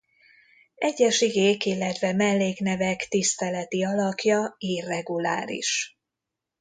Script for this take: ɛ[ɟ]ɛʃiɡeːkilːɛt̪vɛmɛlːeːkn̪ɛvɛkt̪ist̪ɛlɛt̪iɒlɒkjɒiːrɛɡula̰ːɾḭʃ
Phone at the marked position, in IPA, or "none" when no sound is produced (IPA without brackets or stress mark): ɟː